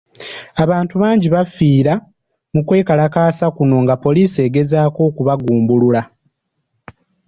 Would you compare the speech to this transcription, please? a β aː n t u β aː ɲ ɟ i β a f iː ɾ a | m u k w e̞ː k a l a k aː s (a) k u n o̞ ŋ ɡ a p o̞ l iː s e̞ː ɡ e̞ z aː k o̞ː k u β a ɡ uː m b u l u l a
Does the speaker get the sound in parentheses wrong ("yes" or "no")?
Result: no